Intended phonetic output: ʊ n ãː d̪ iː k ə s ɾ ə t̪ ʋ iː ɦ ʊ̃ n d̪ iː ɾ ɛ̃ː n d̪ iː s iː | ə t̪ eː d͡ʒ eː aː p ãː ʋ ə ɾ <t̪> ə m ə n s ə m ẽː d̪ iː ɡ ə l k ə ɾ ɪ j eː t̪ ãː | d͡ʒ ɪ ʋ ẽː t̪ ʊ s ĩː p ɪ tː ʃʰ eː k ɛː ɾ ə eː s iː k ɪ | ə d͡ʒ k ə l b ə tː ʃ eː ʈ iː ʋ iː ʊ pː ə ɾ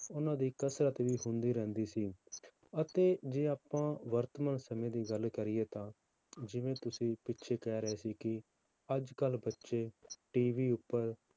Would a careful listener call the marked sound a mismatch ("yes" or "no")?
no